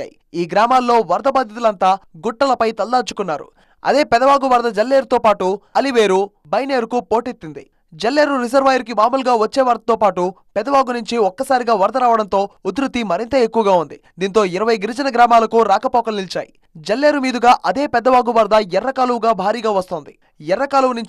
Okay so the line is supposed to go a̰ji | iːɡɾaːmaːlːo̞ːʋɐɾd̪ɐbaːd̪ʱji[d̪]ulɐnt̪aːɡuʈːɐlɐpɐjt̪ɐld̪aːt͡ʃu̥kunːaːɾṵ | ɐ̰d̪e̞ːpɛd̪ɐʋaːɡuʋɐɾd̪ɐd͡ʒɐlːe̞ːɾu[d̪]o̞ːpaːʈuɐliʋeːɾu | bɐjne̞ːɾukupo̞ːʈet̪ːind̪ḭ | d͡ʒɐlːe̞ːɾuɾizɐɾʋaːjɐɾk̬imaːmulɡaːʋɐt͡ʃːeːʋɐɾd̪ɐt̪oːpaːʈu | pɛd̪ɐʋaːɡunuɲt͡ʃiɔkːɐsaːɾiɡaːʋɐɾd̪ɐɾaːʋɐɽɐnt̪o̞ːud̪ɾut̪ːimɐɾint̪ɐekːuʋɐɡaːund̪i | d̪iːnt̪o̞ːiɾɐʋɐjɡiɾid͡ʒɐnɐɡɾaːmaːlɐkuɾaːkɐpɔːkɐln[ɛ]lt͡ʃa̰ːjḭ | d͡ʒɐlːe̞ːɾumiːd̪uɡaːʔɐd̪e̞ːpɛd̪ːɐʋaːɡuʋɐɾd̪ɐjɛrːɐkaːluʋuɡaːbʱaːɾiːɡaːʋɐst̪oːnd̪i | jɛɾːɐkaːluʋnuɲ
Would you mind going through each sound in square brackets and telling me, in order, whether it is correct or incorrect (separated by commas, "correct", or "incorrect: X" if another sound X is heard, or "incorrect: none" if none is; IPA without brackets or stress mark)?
incorrect: t̪, incorrect: t̪, incorrect: i